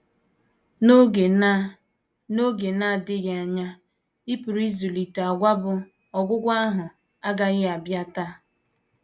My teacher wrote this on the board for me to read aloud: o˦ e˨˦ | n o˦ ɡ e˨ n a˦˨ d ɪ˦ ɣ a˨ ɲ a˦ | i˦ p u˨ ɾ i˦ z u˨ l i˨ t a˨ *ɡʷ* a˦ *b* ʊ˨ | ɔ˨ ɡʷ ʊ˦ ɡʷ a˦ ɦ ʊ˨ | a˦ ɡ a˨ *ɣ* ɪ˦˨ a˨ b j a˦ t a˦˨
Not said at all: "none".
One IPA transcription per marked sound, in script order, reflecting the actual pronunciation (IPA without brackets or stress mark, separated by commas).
ɡʷ, b, ɣ